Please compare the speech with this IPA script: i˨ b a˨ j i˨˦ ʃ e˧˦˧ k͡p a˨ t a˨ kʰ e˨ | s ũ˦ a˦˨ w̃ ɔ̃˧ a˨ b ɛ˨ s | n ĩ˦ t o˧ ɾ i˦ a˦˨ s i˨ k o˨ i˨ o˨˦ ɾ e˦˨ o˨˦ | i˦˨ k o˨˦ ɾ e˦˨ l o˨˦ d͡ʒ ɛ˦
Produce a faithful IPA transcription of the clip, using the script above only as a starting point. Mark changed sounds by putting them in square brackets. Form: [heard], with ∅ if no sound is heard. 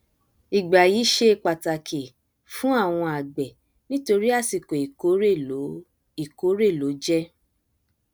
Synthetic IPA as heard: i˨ [ɡ͡b] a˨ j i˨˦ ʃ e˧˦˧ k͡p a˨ t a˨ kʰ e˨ | [f] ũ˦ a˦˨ w̃ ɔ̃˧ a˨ [ɡ͡b] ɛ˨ [∅] | n ĩ˦ t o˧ ɾ i˦ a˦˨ s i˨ k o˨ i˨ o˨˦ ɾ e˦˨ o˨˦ | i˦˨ k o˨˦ ɾ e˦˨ l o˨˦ d͡ʒ ɛ˦